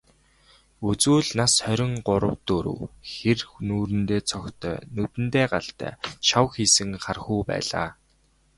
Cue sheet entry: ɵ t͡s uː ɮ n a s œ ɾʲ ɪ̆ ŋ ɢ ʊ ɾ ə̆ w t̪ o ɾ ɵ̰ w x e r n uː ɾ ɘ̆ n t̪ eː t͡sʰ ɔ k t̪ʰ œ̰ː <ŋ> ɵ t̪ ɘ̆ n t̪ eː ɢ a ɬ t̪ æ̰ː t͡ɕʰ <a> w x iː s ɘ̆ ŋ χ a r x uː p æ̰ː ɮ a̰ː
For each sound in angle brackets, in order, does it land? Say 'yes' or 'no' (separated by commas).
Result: no, yes